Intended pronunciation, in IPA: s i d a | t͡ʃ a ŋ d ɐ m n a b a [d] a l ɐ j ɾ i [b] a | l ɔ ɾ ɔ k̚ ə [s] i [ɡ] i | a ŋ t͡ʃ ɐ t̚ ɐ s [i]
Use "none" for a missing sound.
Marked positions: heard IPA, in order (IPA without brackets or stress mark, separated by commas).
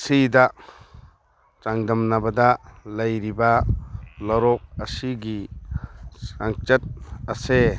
d, b, s, ɡ, e